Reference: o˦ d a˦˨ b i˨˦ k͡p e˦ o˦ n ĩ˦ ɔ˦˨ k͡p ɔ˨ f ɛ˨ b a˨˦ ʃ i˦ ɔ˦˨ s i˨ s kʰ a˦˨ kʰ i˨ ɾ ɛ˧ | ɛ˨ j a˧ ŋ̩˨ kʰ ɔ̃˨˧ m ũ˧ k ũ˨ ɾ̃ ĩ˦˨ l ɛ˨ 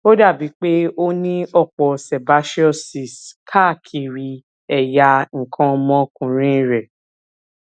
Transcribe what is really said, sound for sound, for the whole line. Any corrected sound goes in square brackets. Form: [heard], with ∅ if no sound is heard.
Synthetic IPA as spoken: o˦ d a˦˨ b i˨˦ k͡p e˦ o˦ n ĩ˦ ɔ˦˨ k͡p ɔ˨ [s] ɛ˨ b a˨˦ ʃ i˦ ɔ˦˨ s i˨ s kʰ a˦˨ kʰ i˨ ɾ [i˧] | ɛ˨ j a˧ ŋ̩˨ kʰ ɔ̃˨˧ m [ɔ̃˧] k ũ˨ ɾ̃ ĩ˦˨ [ɾ] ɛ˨